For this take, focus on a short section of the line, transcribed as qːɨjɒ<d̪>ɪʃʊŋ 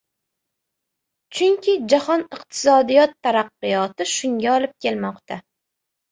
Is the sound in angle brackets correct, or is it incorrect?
incorrect